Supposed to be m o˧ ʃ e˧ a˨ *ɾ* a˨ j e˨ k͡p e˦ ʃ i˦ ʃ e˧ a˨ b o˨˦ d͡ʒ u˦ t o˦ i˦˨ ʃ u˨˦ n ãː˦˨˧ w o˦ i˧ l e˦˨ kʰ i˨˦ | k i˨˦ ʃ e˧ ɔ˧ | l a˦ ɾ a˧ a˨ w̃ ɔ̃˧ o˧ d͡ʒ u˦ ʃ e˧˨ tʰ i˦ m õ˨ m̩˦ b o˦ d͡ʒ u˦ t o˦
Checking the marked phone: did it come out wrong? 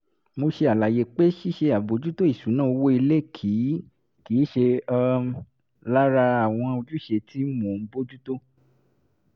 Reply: yes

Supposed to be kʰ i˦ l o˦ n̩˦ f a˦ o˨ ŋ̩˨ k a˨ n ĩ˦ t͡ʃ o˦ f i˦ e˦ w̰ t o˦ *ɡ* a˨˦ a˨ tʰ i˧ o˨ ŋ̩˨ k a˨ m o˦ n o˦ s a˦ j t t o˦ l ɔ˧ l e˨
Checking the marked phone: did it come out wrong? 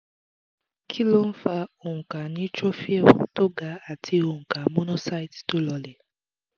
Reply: no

